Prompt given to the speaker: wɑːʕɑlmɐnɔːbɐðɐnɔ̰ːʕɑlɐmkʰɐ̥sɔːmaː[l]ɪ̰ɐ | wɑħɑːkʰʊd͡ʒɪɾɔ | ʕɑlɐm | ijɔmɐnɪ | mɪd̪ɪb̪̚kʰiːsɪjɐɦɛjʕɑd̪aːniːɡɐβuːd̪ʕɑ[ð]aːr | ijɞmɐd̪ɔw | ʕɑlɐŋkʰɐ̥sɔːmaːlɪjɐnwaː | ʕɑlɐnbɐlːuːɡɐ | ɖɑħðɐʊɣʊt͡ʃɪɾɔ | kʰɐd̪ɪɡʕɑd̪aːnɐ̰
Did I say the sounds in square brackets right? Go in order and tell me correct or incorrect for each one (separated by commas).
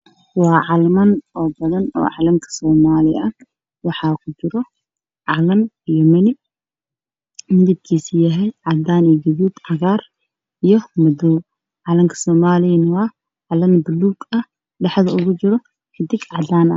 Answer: correct, incorrect